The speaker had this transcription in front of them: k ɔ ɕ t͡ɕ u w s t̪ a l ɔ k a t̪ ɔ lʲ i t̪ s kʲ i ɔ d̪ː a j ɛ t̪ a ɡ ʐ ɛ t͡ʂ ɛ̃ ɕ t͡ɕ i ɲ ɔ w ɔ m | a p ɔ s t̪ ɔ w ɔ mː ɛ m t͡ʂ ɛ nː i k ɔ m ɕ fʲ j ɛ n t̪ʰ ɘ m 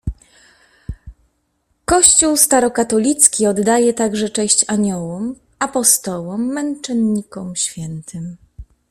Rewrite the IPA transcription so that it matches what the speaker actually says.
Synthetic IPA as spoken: k ɔ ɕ t͡ɕ u w s t̪ a ɾ ɔ k a t̪ ɔ lʲ i t̪ s kʲ i ɔ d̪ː a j ɛ t̪ a ɡ ʐ ɛ t͡ʂ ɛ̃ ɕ t͡ɕ a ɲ ɔ w ɔ m | a p ɔ s t̪ ɔ w ɔ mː ɛ n t͡ʂ ɛ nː i k ɔ m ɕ fʲ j ɛ n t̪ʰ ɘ m

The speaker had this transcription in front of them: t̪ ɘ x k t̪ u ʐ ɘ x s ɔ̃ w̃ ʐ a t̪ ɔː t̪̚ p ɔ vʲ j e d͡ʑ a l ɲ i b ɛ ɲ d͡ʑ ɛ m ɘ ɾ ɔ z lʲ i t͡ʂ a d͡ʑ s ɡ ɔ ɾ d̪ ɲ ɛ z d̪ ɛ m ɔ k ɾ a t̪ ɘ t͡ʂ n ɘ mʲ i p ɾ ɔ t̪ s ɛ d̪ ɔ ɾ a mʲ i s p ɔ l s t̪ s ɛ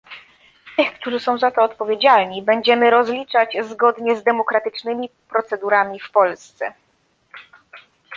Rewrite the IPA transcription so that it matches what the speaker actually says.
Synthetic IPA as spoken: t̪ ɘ x k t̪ u ʐ ɘ s ɔ̃ w̃ z a t̪ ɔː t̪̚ p ɔ vʲ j e d͡ʑ a l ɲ i b ɛ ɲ d͡ʑ ɛ m ɘ ɾ ɔ z lʲ i t͡ʂ a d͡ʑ z ɡ ɔ d̪ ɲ ɛ z d̪ ɛ m ɔ k ɾ a t̪ ɘ t͡ʂ n ɘ mʲ i p ɾ ɔ t̪ s ɛ d̪ u ɾ a mʲ i f p ɔ l s t̪ s ɛ

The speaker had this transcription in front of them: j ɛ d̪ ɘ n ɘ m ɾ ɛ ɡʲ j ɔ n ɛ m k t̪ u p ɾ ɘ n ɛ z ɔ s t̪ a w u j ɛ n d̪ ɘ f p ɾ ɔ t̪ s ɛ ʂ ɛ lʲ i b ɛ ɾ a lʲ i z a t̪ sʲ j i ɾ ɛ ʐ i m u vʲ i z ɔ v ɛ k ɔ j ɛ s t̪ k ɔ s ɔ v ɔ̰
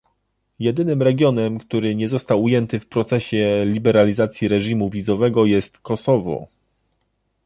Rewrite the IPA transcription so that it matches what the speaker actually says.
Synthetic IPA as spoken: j ɛ d̪ ɘ n ɘ m ɾ ɛ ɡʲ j ɔ n ɛ m k t̪ u ɾ ɘ ɲ ɛ z ɔ s t̪ a w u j ɛ n t̪ ɘ f p ɾ ɔ t̪ s ɛ ɕ ɛ lʲ i b ɛ ɾ a lʲ i z a t̪ sʲ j i ɾ ɛ ʐ i m u vʲ i z ɔ v ɛ ɡ ɔ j ɛ s t̪ k ɔ s ɔ v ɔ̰

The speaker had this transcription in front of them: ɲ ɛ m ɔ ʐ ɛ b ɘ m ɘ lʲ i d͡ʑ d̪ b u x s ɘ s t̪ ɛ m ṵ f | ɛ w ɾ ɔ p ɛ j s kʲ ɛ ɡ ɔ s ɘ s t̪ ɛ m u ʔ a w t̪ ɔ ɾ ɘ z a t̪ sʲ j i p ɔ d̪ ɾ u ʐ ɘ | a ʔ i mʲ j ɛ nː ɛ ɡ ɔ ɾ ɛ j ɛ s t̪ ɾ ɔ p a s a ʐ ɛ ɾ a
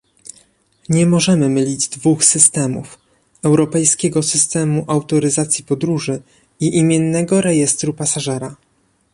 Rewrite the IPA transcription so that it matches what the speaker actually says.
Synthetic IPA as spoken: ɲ ɛ m ɔ ʐ ɛ m ɘ m ɘ lʲ i d͡ʑ d̪ v u x s ɘ s t̪ ɛ m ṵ f | ɛ w ɾ ɔ p ɛ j s kʲ ɛ ɡ ɔ s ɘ s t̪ ɛ m u ʔ a w t̪ ɔ ɾ ɘ z a t̪ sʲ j i p ɔ d̪ ɾ u ʐ ɘ | i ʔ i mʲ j ɛ nː ɛ ɡ ɔ ɾ ɛ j ɛ s t̪ ɾ u p a s a ʐ ɛ ɾ a

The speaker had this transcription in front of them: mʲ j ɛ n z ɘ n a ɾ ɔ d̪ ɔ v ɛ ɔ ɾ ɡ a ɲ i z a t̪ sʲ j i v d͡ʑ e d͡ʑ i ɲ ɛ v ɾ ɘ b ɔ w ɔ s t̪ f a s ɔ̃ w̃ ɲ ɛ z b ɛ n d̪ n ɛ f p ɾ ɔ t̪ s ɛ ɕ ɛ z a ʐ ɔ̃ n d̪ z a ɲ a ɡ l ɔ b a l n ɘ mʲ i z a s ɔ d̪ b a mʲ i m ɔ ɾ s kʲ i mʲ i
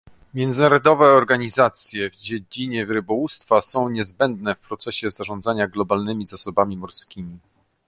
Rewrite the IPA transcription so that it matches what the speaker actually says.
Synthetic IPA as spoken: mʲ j ɛ n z ɘ n a ɾ ɔ d̪ ɔ v ɛ ɔ ɾ ɡ a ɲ i z a t̪ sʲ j ɛ v d͡ʑ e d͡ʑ i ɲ ɛ v ɾ ɘ b ɔ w u s t̪ f a s ɔ̃ w̃ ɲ ɛ z b ɛ n d̪ n ɛ f p ɾ ɔ t̪ s ɛ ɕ ɛ z a ʐ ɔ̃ n d̪ z a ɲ a ɡ l ɔ b a l n ɘ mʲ i z a s ɔ b a mʲ i m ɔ ɾ s kʲ i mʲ i

